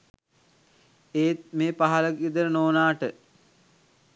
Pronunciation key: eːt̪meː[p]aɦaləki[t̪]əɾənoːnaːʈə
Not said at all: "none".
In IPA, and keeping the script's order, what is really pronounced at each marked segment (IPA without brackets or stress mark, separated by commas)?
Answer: p, d̪